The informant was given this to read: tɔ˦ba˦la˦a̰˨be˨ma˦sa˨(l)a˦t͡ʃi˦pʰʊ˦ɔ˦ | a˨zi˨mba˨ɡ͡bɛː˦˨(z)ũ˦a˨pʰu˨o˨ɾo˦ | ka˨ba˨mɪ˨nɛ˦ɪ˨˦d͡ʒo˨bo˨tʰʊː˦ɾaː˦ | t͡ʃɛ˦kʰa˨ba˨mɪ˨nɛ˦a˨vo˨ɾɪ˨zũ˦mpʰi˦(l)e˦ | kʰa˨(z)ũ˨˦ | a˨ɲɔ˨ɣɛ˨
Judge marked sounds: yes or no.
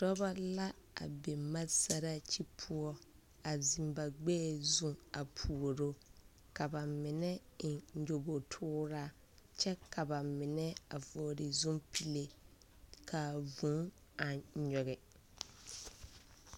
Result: no, yes, yes, no

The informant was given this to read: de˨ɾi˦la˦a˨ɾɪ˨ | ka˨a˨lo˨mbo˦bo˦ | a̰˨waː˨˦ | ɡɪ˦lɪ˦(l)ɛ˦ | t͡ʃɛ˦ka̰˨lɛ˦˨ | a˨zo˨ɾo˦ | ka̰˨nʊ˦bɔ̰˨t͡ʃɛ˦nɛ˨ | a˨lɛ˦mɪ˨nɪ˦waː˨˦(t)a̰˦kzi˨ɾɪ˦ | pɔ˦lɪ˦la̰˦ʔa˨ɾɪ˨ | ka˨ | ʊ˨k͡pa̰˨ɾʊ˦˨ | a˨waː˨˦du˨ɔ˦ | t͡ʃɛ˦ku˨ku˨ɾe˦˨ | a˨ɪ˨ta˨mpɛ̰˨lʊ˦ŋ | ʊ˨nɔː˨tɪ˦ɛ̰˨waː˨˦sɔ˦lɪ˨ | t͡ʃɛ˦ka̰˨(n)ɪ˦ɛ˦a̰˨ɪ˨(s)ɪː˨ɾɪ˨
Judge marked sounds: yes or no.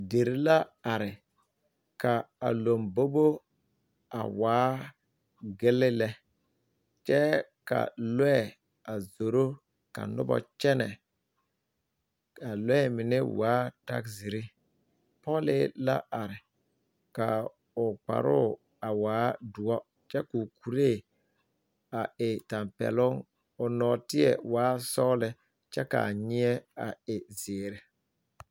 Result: yes, yes, no, no

